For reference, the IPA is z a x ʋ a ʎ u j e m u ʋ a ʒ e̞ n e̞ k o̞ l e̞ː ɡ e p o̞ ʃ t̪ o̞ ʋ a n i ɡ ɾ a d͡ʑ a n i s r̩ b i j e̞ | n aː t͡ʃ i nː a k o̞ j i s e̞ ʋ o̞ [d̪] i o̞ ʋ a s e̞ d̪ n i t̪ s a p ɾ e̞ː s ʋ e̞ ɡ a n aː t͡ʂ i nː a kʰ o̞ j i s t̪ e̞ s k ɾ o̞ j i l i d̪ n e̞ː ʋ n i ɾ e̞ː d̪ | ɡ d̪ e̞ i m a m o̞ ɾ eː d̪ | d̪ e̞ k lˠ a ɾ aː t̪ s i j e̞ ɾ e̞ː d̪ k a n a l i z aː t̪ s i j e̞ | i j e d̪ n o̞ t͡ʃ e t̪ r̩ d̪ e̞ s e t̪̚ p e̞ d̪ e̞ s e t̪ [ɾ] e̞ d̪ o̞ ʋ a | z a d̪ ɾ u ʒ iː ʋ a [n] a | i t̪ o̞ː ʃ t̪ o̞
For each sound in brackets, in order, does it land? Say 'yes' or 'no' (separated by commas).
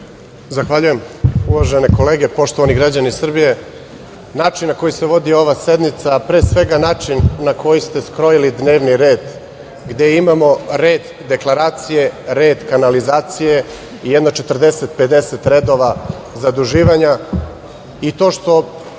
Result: yes, yes, no